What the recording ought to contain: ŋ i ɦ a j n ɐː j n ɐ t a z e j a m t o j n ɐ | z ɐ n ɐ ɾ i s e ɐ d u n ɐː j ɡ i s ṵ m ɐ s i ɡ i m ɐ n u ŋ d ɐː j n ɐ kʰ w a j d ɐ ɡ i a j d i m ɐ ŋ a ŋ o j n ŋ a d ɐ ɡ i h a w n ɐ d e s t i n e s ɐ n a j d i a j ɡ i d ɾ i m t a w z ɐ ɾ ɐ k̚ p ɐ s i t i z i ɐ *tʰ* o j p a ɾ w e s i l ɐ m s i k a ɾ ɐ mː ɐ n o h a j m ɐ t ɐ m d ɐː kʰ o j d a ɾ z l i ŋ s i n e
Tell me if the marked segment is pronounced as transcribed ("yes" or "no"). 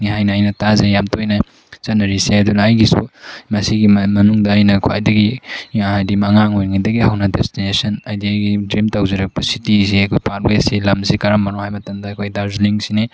no